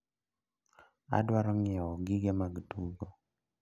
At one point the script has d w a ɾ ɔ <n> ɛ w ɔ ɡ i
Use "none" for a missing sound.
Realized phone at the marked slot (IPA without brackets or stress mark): ŋ